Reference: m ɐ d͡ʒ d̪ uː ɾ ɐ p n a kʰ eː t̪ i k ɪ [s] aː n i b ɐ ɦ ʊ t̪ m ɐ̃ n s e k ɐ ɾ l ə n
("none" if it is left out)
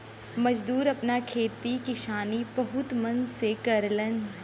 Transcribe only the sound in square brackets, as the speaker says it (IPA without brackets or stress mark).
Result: ʃ